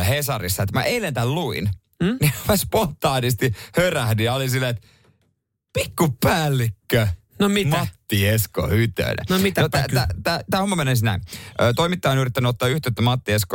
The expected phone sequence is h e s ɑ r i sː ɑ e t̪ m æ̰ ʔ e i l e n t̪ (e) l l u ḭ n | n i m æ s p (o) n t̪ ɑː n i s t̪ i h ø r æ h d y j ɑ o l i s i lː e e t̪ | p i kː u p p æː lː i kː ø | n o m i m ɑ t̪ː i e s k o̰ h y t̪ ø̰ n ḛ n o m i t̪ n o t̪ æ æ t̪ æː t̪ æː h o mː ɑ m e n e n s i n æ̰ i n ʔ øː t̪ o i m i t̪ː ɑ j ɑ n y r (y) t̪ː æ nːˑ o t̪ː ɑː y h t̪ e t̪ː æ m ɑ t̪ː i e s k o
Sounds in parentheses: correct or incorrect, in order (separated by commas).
incorrect, correct, incorrect